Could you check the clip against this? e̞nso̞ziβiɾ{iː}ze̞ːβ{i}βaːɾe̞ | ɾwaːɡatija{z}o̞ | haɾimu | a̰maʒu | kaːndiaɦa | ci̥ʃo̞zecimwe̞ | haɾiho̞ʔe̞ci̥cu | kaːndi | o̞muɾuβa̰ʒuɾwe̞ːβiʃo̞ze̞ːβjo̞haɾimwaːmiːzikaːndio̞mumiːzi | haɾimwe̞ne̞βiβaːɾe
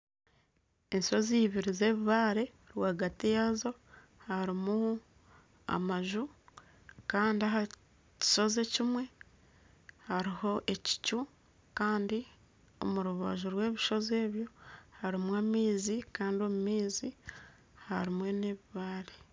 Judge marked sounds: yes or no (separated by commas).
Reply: no, yes, yes